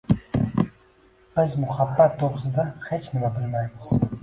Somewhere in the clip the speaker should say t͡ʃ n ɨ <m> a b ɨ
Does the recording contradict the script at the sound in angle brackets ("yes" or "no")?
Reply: no